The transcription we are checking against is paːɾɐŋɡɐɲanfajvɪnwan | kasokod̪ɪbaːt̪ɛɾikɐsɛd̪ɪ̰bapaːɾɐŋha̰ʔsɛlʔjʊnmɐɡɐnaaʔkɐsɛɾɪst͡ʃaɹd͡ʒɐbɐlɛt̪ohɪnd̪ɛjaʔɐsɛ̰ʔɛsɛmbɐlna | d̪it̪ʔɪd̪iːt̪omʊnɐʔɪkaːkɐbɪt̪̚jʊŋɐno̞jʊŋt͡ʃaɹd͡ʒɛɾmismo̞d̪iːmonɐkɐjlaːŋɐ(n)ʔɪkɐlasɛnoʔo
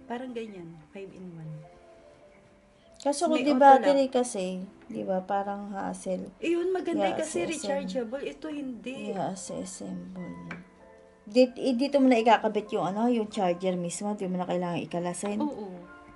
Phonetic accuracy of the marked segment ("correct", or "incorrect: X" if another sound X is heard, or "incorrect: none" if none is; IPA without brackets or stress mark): incorrect: ŋ